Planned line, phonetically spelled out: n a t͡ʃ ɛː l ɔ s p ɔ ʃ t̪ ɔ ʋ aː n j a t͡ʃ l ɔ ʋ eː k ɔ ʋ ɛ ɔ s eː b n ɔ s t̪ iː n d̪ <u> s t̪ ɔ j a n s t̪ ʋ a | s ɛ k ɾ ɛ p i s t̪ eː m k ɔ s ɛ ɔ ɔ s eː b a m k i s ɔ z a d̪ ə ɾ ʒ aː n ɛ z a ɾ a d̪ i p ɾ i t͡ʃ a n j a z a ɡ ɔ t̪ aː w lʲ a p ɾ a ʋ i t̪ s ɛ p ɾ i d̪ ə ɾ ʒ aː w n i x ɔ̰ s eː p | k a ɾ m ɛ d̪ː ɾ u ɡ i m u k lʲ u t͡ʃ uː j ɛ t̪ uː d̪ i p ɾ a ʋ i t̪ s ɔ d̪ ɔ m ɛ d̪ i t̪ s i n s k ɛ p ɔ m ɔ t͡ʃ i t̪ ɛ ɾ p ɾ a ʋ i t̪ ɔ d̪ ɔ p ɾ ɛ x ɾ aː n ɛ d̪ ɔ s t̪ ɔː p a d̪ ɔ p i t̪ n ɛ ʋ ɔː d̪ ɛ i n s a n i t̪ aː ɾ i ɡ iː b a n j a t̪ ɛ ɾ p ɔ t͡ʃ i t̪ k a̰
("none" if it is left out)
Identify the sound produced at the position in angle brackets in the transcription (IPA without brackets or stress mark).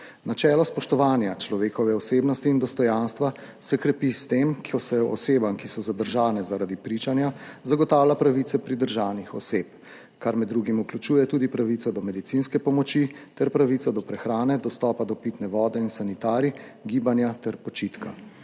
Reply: ɔ